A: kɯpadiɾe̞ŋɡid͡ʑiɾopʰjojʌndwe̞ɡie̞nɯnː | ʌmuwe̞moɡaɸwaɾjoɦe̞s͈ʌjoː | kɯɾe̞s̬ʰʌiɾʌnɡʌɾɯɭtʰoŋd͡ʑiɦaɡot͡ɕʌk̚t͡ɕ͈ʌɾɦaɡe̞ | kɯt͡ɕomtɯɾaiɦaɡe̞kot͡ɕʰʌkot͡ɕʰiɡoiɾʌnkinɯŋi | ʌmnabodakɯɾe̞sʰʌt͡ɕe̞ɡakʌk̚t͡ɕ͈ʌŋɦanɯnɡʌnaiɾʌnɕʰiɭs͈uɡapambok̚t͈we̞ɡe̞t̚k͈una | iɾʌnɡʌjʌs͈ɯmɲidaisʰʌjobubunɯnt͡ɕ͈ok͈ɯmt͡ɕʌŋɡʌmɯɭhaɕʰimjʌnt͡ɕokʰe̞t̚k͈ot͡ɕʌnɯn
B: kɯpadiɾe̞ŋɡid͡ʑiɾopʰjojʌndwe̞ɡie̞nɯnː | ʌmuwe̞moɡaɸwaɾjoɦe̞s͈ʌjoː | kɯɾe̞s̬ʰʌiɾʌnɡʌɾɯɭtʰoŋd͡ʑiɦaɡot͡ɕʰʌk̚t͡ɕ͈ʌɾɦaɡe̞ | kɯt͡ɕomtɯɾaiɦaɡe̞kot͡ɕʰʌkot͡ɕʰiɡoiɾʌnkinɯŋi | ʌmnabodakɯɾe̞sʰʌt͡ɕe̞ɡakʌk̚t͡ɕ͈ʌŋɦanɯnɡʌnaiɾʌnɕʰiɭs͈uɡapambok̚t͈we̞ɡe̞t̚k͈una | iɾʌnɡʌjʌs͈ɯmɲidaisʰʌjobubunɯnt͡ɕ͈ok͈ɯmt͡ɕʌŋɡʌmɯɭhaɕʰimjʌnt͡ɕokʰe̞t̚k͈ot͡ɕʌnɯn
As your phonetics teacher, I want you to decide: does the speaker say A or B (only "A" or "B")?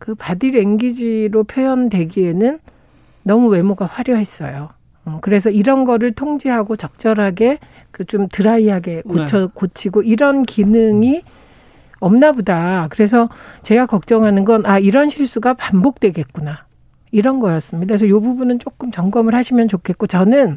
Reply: A